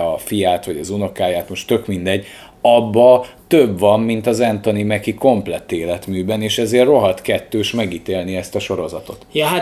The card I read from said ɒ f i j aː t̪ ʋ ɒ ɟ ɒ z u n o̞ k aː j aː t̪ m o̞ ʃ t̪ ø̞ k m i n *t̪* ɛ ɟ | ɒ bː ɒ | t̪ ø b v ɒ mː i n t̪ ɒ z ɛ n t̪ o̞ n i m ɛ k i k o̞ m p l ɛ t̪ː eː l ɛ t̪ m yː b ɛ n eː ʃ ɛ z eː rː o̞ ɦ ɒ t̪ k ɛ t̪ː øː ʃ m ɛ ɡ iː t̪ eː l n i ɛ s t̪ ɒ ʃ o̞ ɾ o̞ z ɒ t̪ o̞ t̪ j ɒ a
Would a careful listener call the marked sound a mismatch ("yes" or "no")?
yes